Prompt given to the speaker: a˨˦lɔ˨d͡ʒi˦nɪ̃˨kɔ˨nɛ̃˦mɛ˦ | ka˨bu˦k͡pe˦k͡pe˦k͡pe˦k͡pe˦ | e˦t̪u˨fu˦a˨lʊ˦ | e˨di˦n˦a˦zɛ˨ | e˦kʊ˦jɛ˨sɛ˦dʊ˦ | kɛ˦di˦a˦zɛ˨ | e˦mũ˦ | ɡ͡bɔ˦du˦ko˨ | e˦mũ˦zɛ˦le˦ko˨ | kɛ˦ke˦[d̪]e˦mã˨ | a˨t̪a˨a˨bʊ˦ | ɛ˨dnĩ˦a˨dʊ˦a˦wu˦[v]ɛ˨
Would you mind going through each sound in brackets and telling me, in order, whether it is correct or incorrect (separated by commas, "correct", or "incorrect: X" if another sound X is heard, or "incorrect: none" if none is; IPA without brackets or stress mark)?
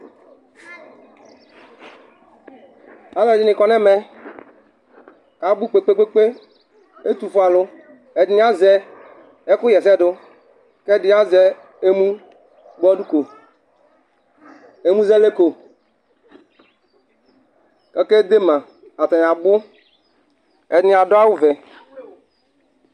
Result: correct, correct